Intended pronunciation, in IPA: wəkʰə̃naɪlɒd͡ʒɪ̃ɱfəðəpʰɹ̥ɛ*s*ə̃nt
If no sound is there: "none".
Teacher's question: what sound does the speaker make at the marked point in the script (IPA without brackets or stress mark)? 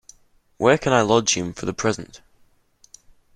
z